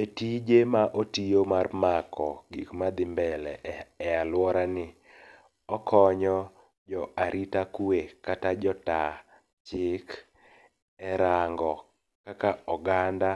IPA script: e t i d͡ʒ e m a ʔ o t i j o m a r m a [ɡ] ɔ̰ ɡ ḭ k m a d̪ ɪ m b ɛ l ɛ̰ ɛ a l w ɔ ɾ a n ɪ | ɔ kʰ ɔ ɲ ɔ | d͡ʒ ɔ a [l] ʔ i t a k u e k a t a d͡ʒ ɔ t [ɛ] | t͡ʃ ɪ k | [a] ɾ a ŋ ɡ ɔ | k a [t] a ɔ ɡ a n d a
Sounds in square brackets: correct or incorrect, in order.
incorrect: k, incorrect: ɾ, incorrect: a, incorrect: ɛ, incorrect: k

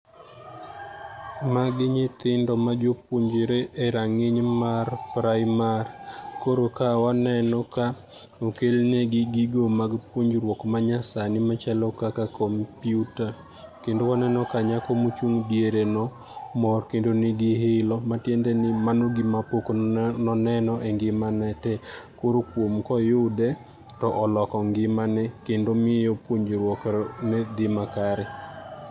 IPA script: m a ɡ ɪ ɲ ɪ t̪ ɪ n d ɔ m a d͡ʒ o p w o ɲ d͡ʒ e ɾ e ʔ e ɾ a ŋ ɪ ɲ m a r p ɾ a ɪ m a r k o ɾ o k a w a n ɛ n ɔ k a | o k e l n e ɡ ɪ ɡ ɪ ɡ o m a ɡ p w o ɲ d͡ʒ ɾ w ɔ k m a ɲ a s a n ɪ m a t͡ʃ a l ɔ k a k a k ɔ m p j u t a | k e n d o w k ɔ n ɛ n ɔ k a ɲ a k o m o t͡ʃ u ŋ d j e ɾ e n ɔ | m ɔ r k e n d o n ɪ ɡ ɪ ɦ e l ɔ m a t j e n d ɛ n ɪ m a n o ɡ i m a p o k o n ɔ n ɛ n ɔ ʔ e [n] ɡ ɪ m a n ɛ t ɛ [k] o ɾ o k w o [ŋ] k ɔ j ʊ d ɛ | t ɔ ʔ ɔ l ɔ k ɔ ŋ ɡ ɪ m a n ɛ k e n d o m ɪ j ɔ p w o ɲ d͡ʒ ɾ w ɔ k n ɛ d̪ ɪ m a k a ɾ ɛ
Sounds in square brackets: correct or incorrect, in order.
incorrect: ŋ, correct, incorrect: m

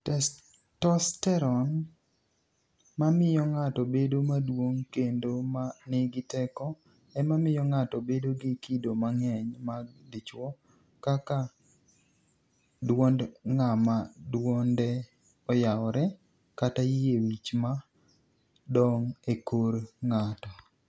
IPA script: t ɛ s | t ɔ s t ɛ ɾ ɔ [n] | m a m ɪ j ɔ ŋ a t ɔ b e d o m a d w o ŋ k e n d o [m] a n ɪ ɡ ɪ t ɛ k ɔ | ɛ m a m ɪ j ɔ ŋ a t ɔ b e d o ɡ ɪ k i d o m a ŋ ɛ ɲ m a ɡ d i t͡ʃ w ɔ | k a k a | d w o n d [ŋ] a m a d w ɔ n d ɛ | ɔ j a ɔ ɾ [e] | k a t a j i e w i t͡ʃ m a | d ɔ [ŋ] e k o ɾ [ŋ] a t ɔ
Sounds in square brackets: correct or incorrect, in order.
correct, correct, correct, incorrect: ɛ, correct, correct

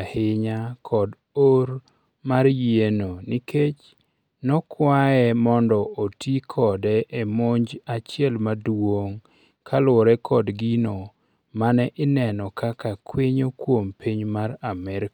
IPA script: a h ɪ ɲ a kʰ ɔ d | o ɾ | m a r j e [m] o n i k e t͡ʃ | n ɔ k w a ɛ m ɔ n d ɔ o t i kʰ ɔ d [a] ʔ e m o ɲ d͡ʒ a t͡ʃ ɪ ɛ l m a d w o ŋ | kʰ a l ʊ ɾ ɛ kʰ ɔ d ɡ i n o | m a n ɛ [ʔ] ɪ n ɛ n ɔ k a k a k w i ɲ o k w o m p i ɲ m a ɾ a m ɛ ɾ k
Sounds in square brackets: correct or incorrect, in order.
incorrect: n, incorrect: ɛ, correct

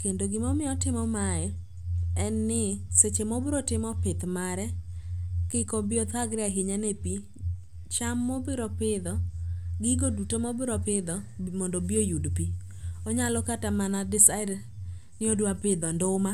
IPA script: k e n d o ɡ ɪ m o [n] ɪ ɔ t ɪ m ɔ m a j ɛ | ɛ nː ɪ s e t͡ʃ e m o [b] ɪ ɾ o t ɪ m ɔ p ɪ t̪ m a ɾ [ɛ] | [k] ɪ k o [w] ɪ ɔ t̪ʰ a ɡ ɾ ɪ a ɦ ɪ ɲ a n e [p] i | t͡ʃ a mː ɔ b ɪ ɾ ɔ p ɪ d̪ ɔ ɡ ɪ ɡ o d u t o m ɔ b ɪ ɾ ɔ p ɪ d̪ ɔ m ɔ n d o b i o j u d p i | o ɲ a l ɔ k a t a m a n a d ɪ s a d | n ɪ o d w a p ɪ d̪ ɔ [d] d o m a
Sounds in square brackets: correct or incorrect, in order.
incorrect: m, correct, correct, correct, incorrect: b, correct, incorrect: n

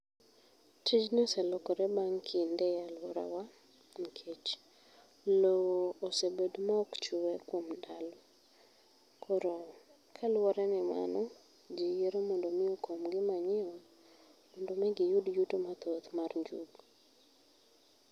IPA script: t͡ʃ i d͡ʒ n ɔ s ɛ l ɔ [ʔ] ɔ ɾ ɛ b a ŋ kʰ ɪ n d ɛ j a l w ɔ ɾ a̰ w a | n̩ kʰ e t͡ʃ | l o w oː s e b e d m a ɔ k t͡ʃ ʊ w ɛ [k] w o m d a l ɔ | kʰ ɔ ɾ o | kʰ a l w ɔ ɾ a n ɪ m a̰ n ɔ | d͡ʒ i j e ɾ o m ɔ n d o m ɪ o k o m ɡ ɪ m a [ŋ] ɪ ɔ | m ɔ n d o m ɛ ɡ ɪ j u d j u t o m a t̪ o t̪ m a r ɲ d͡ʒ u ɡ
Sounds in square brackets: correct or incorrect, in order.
incorrect: k, correct, incorrect: ɲ

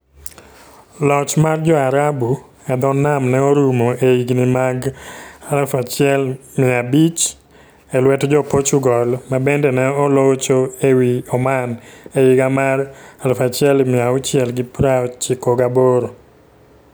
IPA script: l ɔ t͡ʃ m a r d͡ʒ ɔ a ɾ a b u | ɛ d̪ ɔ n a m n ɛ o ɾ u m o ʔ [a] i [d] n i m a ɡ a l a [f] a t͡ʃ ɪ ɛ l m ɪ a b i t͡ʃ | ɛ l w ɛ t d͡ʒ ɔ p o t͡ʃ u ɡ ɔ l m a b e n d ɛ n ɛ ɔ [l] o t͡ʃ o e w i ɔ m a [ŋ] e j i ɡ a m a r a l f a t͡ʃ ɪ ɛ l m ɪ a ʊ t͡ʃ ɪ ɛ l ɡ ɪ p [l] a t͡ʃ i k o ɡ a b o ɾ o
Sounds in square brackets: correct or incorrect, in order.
incorrect: e, incorrect: ɡ, correct, correct, incorrect: n, incorrect: ɾ

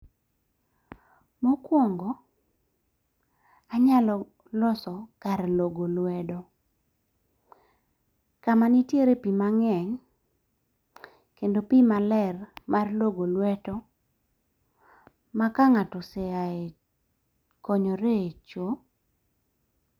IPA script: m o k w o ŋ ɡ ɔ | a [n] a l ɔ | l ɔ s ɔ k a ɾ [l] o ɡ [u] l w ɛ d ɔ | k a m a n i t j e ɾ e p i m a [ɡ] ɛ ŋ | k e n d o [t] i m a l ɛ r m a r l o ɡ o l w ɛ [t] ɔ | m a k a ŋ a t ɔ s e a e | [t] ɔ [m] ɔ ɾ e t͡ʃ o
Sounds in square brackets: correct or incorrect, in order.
incorrect: ɲ, correct, incorrect: o, incorrect: ŋ, incorrect: p, correct, incorrect: k, incorrect: ɲ

